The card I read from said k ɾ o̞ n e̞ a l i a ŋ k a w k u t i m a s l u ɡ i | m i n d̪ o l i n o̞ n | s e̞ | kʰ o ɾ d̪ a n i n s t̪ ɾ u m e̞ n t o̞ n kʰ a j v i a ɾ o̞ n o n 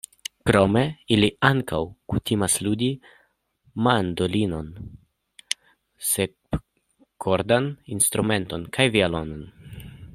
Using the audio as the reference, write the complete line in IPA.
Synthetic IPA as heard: k ɾ o̞ m e̞ i l i a ŋ k a w k u t i m a s l u d i | m a n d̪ o l i n o̞ n | s e̞ | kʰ o ɾ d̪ a n i n s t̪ ɾ u m e̞ n t o̞ n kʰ a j v i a l o̞ n o n